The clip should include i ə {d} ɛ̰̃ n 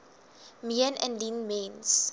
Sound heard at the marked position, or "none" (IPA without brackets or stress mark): n